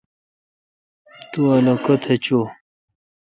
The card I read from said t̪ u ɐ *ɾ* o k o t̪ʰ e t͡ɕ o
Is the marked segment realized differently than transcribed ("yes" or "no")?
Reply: yes